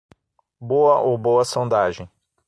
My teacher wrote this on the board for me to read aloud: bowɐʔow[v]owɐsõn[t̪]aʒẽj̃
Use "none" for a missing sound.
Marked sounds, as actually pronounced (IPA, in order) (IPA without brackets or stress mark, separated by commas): b, d̪